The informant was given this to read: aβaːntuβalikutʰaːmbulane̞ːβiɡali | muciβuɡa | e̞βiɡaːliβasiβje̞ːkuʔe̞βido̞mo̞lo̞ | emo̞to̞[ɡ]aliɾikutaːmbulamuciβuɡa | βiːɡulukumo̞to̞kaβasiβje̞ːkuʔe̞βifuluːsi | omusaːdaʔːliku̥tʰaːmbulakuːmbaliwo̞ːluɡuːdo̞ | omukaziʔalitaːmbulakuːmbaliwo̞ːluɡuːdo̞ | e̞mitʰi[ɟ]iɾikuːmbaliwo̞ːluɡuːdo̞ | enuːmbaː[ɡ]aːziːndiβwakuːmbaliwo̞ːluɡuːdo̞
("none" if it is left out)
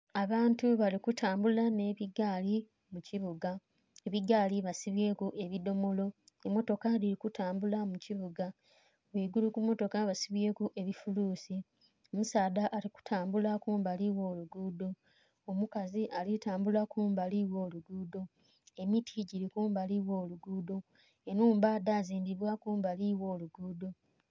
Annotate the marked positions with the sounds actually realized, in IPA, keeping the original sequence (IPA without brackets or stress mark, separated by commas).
k, ɟ, d